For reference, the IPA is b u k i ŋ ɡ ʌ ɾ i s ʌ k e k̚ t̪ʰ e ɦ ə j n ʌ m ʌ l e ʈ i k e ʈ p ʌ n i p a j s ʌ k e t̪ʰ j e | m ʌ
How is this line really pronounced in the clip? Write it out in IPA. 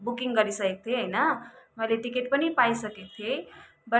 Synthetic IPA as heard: b u k i ŋ ɡ ʌ ɾ i s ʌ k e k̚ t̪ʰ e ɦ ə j n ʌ m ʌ l e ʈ i k e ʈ p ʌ n i p a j s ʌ k e t̪ʰ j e | b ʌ